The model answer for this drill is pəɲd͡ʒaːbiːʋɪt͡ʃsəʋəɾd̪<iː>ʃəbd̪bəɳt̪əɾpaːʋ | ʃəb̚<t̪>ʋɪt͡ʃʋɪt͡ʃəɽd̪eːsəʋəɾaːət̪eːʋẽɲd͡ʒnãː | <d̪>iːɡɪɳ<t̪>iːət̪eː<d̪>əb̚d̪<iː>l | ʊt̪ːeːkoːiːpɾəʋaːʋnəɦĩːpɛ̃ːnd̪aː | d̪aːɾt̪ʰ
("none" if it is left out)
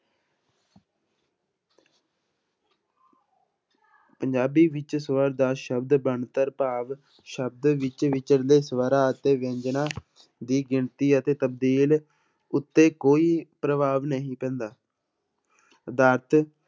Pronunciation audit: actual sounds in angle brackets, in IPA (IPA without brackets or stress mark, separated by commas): aː, d̪, d̪, t̪, t̪, iː